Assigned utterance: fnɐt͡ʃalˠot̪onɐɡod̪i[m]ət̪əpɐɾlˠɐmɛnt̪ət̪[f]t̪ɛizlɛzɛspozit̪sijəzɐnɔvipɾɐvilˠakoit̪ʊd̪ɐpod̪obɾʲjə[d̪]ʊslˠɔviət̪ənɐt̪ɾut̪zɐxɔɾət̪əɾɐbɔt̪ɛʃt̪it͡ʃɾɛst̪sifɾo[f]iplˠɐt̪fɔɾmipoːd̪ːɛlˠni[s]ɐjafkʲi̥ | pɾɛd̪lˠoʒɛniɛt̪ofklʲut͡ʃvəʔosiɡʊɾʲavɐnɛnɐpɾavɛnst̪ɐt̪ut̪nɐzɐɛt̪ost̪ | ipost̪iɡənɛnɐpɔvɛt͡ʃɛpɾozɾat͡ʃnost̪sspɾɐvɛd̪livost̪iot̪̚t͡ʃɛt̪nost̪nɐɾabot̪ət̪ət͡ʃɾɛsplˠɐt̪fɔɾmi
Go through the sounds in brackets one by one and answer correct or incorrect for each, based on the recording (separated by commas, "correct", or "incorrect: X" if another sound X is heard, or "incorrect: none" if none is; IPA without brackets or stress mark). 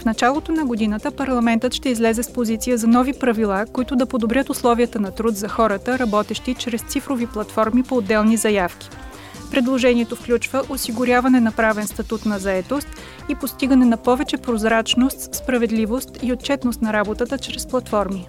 incorrect: n, incorrect: ʃ, incorrect: t̪, incorrect: v, incorrect: z